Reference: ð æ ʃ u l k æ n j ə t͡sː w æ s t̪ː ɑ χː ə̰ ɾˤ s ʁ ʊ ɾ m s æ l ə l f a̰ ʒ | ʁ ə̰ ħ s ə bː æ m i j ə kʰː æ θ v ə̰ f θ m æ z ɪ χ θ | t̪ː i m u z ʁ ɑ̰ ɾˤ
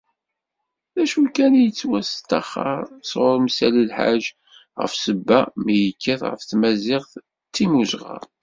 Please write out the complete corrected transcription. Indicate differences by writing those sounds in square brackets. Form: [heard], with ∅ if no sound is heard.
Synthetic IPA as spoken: ð æ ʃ u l k æ n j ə t͡sː w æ s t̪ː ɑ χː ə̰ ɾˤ s ʁ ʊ ɾ m s æ l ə l [ħ] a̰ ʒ | ʁ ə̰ [f] s ə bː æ m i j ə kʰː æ θ [ʁ] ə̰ f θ m æ z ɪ [ʁ] θ | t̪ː i m u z ʁ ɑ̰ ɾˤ